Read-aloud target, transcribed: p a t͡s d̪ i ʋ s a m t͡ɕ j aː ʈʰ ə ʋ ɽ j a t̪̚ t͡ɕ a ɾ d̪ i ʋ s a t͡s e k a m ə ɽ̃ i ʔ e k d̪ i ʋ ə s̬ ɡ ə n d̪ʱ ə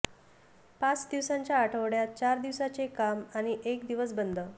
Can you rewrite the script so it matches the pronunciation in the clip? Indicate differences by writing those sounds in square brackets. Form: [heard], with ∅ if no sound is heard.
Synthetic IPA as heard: p a t͡s d̪ i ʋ s a [ɲ] t͡ɕ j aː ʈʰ ə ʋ ɽ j a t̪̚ t͡ɕ a ɾ d̪ i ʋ s a t͡s e k a m [a] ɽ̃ i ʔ e k d̪ i ʋ ə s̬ [b] ə n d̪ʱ ə